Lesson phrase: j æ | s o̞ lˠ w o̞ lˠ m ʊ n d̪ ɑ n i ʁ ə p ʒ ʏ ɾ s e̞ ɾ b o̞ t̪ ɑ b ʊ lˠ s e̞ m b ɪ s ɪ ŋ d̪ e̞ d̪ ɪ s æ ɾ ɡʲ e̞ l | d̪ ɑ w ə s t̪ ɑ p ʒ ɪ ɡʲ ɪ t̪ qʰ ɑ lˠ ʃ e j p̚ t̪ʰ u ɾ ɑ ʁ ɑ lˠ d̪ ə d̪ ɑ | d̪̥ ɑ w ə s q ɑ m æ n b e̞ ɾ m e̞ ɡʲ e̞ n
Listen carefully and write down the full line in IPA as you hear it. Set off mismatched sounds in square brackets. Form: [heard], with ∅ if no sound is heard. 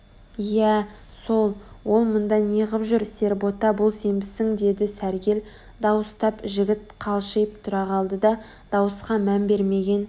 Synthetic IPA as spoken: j æ | s o̞ lˠ w o̞ lˠ m ʊ n d̪ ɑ n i ʁ ə p ʒ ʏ ɾ s e̞ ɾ b o̞ t̪ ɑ b ʊ lˠ s e̞ m b ɪ s ɪ ŋ d̪ e̞ d̪ ɪ s æ ɾ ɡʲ e̞ l | d̪ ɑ w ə s t̪ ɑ p ʒ ɪ ɡʲ ɪ t̪ qʰ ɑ lˠ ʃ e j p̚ t̪ʰ [ʊ] ɾ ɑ ʁ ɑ lˠ d̪ ə d̪ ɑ | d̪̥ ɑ w ə s q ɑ m æ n b e̞ ɾ m e̞ ɡʲ e̞ n